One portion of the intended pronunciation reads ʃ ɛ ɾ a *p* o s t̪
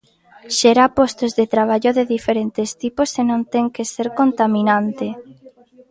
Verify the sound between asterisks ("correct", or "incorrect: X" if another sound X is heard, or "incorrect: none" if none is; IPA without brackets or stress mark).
correct